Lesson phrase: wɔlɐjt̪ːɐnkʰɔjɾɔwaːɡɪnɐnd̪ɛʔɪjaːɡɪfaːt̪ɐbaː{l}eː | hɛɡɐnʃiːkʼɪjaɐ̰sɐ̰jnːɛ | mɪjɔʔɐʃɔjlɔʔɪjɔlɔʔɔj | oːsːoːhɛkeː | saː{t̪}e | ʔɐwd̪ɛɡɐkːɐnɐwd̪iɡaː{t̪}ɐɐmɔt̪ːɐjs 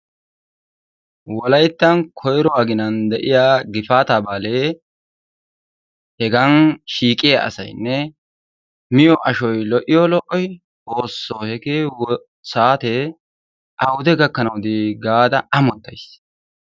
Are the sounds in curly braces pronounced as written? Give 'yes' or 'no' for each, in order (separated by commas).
yes, yes, no